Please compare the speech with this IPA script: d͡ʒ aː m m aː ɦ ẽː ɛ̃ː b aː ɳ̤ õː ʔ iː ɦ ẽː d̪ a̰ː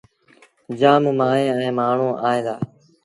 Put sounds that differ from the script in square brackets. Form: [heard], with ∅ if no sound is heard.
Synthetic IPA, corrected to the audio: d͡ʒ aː m m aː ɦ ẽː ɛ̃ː [m] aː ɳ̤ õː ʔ [aː] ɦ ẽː d̪ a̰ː